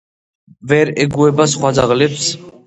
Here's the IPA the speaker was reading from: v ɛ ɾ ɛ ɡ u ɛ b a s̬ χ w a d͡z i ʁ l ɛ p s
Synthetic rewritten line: v ɛ ɾ ɛ ɡ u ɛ b a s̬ χ w a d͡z a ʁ l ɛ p s